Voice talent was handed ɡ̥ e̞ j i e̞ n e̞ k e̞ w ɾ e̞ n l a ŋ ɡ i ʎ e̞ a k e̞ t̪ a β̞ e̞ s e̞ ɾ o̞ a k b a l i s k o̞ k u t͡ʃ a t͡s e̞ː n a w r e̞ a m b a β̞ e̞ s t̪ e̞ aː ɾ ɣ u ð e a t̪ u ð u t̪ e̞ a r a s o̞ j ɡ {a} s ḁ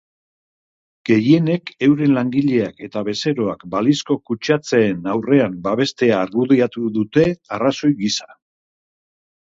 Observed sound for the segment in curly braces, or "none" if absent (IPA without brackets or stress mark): i